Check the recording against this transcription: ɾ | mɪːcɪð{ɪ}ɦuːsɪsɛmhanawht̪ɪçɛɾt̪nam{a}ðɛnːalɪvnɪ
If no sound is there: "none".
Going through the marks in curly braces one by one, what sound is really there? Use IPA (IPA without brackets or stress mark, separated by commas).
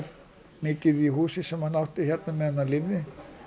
i, ɛ